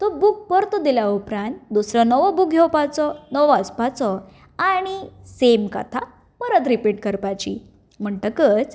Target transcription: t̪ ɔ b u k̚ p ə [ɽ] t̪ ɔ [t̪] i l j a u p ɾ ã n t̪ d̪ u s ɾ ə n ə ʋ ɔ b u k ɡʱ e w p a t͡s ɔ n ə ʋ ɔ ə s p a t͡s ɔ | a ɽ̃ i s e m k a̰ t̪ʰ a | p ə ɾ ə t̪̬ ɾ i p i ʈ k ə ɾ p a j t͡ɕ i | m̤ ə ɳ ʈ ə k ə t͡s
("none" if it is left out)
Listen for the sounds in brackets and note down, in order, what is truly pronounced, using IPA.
ɾ, d̪

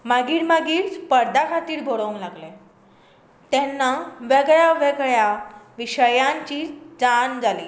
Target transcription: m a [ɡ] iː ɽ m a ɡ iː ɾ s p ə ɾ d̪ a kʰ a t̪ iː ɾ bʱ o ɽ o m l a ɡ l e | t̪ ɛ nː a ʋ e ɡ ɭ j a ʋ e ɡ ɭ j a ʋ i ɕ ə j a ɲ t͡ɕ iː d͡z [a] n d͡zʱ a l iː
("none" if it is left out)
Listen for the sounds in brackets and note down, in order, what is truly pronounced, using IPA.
ɡ, a

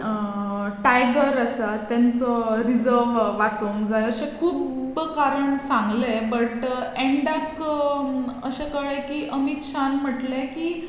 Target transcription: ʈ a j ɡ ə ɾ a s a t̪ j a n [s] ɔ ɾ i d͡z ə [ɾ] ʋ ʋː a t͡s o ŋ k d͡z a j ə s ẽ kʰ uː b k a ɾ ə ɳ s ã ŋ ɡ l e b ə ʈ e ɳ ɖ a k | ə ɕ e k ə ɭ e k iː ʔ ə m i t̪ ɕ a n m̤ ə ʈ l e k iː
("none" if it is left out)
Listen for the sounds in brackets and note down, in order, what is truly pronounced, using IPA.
t͡s, ɾ

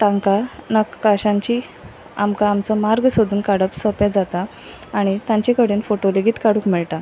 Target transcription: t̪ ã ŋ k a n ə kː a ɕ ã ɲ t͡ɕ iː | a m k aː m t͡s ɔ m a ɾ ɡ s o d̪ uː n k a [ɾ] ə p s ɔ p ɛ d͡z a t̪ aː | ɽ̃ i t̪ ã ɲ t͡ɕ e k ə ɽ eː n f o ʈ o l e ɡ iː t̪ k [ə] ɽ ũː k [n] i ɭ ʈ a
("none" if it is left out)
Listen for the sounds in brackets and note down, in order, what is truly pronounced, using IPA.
ɽ, a, m

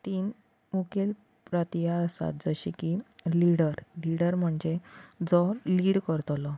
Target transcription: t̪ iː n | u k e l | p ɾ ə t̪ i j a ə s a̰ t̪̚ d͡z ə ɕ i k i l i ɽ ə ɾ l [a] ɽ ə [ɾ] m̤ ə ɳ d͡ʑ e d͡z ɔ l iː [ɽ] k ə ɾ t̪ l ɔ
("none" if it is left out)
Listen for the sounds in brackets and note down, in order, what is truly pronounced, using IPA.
i, ɾ, ɽ

